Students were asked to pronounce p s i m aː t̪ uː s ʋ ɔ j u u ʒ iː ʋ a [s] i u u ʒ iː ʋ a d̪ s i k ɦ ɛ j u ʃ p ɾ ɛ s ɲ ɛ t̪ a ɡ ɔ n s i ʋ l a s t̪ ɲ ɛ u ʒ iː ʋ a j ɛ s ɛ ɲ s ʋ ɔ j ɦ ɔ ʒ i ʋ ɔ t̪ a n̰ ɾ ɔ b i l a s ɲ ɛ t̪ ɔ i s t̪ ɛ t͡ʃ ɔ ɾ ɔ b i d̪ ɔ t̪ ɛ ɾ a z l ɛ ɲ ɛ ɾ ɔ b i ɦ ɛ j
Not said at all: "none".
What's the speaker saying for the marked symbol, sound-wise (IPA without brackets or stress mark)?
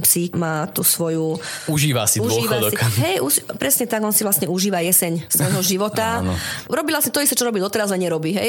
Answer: s